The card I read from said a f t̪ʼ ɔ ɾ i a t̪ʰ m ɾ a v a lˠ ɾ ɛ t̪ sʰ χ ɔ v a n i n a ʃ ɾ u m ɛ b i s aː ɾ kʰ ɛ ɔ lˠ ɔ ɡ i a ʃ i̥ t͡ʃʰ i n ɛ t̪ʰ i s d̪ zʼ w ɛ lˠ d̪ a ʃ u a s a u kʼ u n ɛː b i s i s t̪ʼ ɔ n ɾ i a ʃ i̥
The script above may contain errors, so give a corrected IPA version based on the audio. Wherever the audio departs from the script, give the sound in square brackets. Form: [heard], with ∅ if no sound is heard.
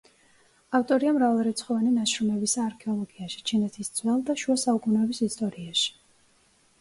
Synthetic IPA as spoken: a f t̪ʼ ɔ ɾ i a [∅] m ɾ a v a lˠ ɾ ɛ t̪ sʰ χ ɔ v a n i n a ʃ ɾ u m ɛ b i s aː ɾ kʰ ɛ ɔ lˠ ɔ ɡ i a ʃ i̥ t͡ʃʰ i n ɛ t̪ʰ i s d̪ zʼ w ɛ lˠ d̪ a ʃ u a s a u kʼ u n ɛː b i s i s t̪ʼ ɔ [∅] ɾ i a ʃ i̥

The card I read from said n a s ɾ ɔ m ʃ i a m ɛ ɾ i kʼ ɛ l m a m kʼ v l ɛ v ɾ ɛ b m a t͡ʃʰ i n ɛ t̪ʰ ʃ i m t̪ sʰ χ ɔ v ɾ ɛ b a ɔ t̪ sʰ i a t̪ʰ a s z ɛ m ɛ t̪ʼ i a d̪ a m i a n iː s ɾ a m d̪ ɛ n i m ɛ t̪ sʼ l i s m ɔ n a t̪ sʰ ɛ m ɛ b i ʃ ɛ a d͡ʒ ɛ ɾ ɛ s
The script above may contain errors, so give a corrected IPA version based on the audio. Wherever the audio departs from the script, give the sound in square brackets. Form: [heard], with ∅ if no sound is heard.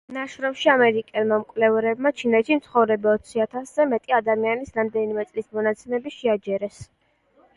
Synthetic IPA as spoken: n a [ʃ] ɾ ɔ m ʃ i a m ɛ ɾ i kʼ ɛ l m a m kʼ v l ɛ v ɾ ɛ b m a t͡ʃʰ i n ɛ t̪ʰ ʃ i m t̪ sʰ χ ɔ v ɾ ɛ b a ɔ t̪ sʰ i a t̪ʰ a s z ɛ m ɛ t̪ʼ i a d̪ a m i a n [i] s ɾ a m d̪ ɛ n i m ɛ t̪ sʼ l i s m ɔ n a t̪ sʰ ɛ m ɛ b i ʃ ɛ a d͡ʒ ɛ ɾ ɛ s

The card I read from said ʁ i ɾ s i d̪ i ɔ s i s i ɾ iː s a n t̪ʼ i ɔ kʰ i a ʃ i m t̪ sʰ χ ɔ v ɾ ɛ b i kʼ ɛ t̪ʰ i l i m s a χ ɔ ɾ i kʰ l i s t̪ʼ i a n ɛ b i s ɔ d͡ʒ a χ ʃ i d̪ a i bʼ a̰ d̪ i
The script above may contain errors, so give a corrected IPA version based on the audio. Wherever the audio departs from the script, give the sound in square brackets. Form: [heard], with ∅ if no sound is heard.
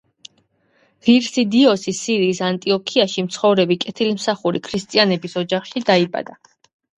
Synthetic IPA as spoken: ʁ i ɾ s i d̪ i ɔ s i s i ɾ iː s a n t̪ʼ i ɔ kʰ i a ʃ i m t̪ sʰ χ ɔ v ɾ ɛ b i kʼ ɛ t̪ʰ i l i m s a χ [u] ɾ i kʰ [ɾ] i s t̪ʼ i a n ɛ b i s ɔ d͡ʒ a χ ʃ i d̪ a i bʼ a̰ d̪ [a]

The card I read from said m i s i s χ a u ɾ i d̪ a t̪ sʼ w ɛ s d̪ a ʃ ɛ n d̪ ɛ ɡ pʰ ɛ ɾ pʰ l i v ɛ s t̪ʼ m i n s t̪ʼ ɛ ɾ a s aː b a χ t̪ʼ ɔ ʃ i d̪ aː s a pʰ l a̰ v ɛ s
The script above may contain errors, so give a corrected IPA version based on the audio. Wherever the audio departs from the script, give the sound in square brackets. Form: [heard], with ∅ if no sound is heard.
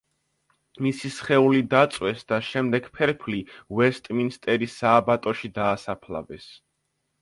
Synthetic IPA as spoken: m i s i s χ [ɛ] u [l] i d̪ a t̪ sʼ w ɛ s d̪ a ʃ ɛ [m] d̪ ɛ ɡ pʰ ɛ ɾ pʰ l i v ɛ s t̪ʼ m i n s t̪ʼ ɛ ɾ [i] s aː b a [∅] t̪ʼ ɔ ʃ i d̪ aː s a pʰ l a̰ v ɛ s

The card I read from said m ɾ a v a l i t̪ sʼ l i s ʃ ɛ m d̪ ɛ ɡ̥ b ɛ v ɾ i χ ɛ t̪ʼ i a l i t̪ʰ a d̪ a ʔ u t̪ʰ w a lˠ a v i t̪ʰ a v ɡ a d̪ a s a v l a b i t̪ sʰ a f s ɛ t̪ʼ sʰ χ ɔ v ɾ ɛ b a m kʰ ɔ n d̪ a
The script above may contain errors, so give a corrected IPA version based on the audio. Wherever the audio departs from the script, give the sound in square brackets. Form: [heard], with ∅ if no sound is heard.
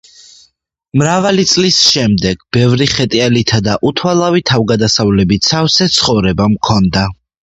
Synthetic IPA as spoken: m ɾ a v a l i t̪ sʼ l i s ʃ ɛ m d̪ ɛ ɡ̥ b ɛ v ɾ i χ ɛ t̪ʼ i a l i t̪ʰ a d̪ a ʔ u t̪ʰ w a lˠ a v i t̪ʰ a v ɡ a d̪ a s a v l [ɛ] b i t̪ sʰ a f s ɛ [t̪] sʰ χ ɔ v ɾ ɛ b a m kʰ ɔ n d̪ a

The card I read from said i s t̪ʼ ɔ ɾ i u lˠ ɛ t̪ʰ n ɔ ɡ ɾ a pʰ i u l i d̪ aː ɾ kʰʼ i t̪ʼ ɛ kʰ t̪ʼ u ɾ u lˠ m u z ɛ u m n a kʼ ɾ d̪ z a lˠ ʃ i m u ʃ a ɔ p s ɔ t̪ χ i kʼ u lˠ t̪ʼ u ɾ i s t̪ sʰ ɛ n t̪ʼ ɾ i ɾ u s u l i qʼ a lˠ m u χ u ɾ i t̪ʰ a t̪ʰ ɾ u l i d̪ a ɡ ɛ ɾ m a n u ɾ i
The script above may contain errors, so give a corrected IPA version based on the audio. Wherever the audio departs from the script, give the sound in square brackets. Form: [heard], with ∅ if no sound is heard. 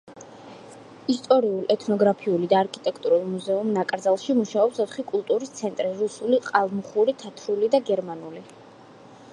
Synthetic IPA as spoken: i s t̪ʼ ɔ ɾ i u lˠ ɛ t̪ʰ n ɔ ɡ ɾ a pʰ i u l i d̪ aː ɾ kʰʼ i t̪ʼ ɛ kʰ t̪ʼ u ɾ u lˠ m u z ɛ u m n a kʼ ɾ d̪ z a lˠ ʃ i m u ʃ a ɔ p s ɔ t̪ χ i kʼ u lˠ t̪ʼ u ɾ i s t̪ sʰ ɛ n t̪ʼ ɾ i ɾ u s u l i qʼ a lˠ m u χ u ɾ i t̪ʰ a t̪ʰ ɾ u l i d̪ a ɡ ɛ ɾ m a n u [l] i

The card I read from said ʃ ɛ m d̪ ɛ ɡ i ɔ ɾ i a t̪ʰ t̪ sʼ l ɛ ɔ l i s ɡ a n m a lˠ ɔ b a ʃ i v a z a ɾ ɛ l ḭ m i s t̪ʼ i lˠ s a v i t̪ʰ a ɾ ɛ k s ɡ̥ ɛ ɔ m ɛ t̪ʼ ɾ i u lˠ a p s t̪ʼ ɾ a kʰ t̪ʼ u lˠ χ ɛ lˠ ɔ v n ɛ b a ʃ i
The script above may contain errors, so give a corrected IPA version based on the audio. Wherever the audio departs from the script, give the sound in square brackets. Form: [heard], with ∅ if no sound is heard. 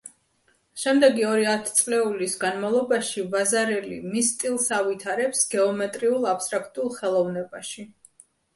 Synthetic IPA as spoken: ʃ ɛ m d̪ ɛ ɡ i ɔ ɾ i a t̪ʰ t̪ sʼ l ɛ [u] l i s ɡ a n m a lˠ ɔ b a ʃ i v a z a ɾ ɛ l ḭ m i s t̪ʼ i lˠ s a v i t̪ʰ a ɾ ɛ [p] s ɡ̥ ɛ ɔ m ɛ t̪ʼ ɾ i u lˠ a p s t̪ʼ ɾ a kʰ t̪ʼ u lˠ χ ɛ lˠ ɔ v n ɛ b a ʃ i

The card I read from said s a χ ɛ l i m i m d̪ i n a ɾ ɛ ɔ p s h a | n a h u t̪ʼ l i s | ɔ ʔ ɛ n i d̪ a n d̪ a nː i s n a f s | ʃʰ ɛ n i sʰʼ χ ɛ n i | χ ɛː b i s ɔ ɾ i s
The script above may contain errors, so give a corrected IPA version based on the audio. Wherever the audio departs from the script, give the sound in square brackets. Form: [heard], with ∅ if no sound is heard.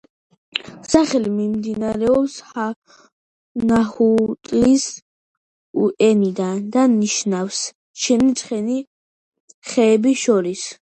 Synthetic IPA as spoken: s a χ ɛ l i m i m d̪ i n a ɾ ɛ ɔ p s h a | n a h u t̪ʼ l i s | [u] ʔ ɛ n i d̪ a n d̪ a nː i [ʃ] n a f s | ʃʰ ɛ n i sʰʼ χ ɛ n i | χ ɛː b i [ʃ] ɔ ɾ i s

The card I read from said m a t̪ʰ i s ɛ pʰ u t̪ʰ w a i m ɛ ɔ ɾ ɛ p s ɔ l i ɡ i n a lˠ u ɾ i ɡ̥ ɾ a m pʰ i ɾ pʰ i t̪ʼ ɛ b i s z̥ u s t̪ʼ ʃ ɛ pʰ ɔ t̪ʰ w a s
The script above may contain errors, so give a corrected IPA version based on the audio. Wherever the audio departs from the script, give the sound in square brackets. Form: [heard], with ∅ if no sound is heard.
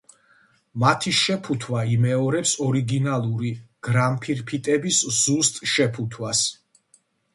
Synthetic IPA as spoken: m a t̪ʰ i [ʃ] ɛ pʰ u t̪ʰ w a i m ɛ ɔ ɾ ɛ p s ɔ [ɾ] i ɡ i n a lˠ u ɾ i ɡ̥ ɾ a m pʰ i ɾ pʰ i t̪ʼ ɛ b i s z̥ u s t̪ʼ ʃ ɛ pʰ [u] t̪ʰ w a s

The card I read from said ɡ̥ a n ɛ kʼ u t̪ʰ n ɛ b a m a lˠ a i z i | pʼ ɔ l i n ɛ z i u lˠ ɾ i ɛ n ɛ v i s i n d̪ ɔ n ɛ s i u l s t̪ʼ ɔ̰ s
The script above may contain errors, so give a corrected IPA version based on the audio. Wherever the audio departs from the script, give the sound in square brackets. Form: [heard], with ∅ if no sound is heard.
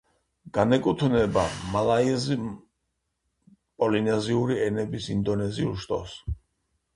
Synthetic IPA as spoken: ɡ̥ a n ɛ kʼ u t̪ʰ n ɛ b a m a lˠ a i z i | pʼ ɔ l i n ɛ z i u [∅] ɾ i ɛ n ɛ [b] i s i n d̪ ɔ n ɛ [z] i u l [ʃ] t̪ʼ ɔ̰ s

